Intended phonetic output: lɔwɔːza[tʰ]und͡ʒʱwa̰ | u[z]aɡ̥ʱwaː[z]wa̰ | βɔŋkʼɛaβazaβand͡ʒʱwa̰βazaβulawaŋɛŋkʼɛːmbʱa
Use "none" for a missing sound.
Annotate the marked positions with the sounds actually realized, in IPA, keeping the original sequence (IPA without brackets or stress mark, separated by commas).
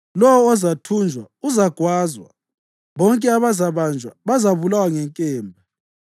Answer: tʰ, z, z